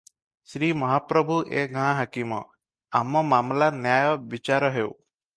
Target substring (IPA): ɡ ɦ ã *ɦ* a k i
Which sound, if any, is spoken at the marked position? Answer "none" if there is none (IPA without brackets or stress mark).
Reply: ɦ